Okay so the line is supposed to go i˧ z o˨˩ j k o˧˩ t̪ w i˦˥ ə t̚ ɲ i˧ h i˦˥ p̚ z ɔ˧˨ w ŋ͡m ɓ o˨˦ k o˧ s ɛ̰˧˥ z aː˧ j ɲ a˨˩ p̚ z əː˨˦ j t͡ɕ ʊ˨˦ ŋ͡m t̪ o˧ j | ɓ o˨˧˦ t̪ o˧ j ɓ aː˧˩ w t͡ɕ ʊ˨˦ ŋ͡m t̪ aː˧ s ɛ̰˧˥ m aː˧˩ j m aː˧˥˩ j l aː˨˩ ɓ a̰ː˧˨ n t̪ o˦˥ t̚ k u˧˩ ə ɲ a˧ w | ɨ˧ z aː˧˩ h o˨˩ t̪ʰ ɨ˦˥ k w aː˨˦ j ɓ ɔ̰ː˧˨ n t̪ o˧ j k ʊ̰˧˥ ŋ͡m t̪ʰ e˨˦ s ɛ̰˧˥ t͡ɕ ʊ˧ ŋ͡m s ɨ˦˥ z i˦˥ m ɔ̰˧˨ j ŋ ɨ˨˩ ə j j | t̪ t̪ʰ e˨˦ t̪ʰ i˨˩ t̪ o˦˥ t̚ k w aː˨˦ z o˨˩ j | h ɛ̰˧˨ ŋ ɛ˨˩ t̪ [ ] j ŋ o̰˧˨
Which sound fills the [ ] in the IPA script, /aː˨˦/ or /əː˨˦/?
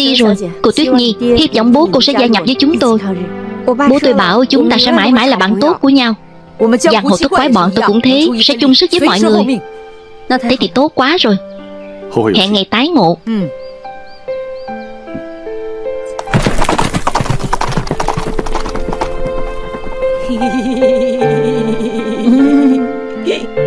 aː˨˦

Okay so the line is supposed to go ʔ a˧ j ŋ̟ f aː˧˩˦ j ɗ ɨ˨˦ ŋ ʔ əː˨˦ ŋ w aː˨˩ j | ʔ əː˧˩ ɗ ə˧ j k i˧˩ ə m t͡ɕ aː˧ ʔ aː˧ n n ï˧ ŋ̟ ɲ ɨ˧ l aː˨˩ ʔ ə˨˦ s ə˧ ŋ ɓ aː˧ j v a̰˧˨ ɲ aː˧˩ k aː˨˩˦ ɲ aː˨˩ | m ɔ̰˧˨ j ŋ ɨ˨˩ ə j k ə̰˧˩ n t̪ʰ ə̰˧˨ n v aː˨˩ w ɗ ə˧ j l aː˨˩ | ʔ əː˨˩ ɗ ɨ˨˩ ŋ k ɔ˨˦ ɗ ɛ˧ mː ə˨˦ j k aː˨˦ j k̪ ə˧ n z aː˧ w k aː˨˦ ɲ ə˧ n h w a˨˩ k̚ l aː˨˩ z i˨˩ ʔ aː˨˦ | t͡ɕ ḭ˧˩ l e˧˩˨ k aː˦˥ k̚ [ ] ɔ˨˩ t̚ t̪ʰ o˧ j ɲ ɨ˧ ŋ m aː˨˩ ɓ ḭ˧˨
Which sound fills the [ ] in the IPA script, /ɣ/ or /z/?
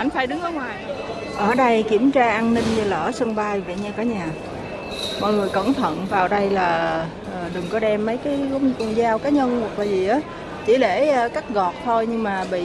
ɣ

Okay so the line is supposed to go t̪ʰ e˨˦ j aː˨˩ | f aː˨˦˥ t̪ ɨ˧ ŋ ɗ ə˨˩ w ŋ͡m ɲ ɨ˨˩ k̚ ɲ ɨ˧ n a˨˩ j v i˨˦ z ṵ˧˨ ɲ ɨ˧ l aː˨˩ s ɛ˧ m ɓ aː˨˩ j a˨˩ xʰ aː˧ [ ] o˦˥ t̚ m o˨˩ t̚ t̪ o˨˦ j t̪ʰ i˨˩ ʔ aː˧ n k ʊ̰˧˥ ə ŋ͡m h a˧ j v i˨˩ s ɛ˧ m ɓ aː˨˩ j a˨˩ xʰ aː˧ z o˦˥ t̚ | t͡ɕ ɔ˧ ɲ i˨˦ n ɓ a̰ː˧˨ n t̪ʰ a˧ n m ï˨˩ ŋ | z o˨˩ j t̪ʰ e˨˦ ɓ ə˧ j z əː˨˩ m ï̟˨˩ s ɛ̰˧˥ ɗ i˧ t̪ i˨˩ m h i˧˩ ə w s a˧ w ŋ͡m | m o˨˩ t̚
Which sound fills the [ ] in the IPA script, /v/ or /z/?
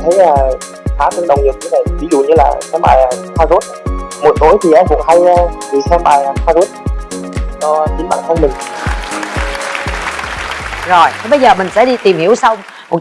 z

